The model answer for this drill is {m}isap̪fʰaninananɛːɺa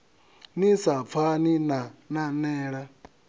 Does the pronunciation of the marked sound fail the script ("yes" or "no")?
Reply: yes